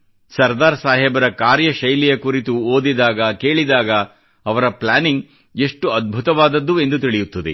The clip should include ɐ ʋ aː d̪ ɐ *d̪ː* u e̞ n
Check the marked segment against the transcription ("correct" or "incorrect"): correct